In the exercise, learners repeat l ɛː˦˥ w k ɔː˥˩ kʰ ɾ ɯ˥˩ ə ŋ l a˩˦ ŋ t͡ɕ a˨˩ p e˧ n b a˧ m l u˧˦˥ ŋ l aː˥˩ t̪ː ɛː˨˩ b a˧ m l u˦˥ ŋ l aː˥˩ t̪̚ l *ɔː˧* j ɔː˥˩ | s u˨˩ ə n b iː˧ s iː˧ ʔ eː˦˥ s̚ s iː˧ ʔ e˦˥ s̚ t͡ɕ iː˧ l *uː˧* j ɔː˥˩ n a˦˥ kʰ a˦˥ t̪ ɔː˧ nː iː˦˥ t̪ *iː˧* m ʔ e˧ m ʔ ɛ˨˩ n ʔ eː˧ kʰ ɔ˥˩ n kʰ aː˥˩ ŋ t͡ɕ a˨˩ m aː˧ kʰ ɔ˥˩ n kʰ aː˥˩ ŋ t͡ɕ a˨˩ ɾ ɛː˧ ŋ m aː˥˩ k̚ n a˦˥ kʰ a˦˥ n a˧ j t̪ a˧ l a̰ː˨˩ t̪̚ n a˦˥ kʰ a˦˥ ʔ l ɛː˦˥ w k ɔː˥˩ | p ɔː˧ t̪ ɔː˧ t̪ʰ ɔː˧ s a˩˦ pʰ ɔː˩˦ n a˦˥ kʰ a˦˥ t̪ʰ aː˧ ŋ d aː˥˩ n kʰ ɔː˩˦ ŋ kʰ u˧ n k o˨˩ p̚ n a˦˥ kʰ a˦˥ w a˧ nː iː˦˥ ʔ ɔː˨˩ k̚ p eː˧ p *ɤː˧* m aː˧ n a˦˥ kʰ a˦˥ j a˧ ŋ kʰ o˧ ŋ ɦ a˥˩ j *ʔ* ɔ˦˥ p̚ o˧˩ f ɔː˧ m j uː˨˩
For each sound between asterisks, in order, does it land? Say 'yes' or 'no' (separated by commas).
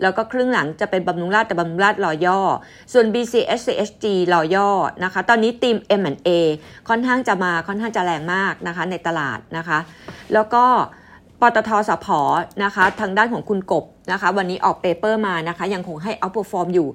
yes, no, yes, no, yes